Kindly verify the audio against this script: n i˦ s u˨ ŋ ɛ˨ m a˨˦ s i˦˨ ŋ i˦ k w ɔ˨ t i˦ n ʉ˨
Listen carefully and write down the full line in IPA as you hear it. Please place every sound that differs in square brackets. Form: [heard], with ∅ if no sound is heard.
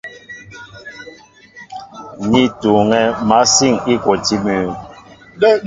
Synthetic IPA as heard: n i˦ [t] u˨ ŋ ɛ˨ m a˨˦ s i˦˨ ŋ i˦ k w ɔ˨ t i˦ [m] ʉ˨